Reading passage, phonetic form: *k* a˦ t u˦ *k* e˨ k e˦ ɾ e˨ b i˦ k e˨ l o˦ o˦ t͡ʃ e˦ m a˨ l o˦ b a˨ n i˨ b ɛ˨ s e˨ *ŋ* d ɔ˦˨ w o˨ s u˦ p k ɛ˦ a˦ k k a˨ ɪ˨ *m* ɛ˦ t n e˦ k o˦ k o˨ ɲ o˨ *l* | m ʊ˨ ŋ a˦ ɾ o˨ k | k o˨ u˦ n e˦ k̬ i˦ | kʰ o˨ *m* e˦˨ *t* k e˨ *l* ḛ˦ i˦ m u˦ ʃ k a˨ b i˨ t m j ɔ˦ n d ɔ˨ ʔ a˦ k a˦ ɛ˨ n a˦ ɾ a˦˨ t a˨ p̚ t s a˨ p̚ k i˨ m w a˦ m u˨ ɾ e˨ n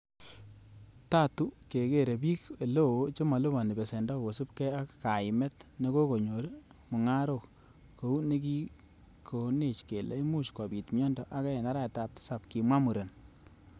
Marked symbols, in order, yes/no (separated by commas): no, yes, no, yes, no, no, no, yes